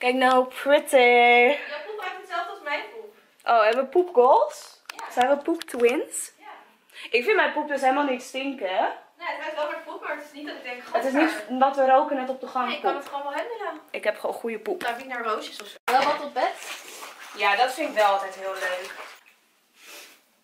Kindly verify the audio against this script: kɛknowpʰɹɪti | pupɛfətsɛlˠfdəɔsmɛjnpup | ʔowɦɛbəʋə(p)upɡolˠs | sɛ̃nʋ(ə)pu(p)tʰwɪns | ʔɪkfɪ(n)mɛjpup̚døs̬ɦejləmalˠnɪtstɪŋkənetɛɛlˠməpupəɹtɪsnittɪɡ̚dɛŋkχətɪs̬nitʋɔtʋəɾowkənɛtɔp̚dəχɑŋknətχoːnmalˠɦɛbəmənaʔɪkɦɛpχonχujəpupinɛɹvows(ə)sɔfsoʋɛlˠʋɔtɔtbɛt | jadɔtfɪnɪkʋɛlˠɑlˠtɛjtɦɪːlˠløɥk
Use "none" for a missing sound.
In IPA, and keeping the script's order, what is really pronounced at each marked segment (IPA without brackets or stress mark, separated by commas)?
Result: p, ə, p, n, ə